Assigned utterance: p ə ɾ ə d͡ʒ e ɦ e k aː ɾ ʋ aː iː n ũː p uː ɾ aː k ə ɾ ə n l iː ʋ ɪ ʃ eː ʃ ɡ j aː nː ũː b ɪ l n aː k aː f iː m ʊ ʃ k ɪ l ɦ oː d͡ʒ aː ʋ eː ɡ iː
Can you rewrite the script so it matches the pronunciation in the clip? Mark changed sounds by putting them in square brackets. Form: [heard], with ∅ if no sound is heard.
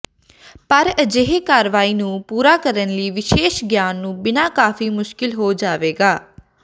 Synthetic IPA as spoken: p ə ɾ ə d͡ʒ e ɦ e k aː ɾ ʋ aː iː n ũː p uː ɾ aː k ə ɾ ə n l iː ʋ ɪ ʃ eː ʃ ɡ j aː nː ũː b ɪ [∅] n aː k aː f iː m ʊ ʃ k ɪ l ɦ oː d͡ʒ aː ʋ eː ɡ [aː]